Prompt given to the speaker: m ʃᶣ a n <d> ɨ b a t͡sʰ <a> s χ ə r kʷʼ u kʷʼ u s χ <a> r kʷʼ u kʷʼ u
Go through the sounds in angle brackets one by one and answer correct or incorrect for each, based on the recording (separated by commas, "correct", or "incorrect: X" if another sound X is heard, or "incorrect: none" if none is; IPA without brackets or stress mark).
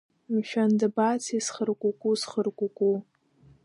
correct, incorrect: i, incorrect: ə